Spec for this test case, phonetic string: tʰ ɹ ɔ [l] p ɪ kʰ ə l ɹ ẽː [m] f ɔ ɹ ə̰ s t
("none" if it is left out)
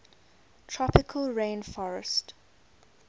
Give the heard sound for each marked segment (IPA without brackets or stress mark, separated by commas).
none, n